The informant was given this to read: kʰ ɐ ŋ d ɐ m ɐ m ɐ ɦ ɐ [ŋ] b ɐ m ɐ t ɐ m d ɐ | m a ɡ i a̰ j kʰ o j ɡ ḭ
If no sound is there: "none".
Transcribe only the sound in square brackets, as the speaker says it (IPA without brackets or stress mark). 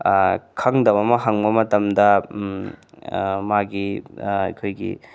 ŋ